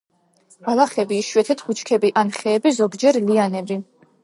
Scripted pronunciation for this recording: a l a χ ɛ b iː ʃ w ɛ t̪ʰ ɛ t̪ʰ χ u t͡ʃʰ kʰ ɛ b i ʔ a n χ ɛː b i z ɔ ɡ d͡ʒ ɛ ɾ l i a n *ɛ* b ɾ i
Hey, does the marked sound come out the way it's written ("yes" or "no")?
yes